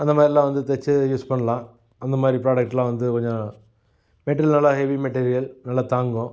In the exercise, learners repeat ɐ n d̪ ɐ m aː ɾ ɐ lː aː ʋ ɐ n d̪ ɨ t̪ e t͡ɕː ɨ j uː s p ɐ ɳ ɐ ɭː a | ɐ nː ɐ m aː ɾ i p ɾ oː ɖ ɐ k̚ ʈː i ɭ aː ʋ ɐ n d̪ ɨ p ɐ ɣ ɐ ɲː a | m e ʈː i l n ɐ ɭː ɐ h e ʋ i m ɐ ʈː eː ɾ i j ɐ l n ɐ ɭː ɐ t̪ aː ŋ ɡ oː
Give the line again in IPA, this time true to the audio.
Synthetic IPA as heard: ɐ n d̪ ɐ m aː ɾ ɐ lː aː ʋ ɐ n d̪ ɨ t̪ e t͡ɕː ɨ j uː s p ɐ ɳ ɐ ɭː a | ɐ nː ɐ m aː ɾ i p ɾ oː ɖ ɐ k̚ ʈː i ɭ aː ʋ ɐ n d̪ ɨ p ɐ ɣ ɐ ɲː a | m e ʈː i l n ɐ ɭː ɐ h e ʋ i m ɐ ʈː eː ɾ i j ɐ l n ɐ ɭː ɐ t̪ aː ŋ ɡ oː